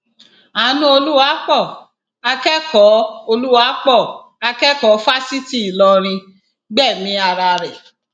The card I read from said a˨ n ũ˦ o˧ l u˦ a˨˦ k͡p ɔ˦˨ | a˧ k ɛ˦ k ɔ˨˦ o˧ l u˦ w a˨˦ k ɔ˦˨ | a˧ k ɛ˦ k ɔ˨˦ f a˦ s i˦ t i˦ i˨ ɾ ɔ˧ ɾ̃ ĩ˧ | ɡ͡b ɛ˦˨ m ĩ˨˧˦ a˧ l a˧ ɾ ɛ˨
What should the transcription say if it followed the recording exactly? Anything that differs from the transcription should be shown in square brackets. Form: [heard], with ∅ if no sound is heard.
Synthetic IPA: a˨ n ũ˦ o˧ l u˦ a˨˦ k͡p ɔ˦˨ | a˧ k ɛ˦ k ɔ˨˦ o˧ l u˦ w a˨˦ [k͡p] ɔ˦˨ | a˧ k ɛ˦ k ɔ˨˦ f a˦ s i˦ t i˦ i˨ [l] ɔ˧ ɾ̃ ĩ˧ | ɡ͡b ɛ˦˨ m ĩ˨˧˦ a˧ [ɾ] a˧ ɾ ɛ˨